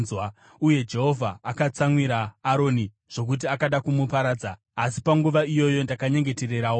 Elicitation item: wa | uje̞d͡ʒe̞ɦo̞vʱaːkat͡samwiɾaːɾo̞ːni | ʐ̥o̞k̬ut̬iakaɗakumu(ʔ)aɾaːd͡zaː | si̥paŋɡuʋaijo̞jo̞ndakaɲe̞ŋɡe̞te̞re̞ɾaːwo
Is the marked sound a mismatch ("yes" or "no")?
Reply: yes